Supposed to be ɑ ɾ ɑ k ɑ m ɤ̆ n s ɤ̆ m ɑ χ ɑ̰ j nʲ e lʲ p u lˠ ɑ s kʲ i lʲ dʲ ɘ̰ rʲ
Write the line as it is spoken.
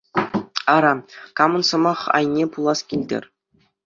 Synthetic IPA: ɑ ɾ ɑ k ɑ m ɤ̆ n s ɤ̆ m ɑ χ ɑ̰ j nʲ e p u lˠ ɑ s kʲ i lʲ dʲ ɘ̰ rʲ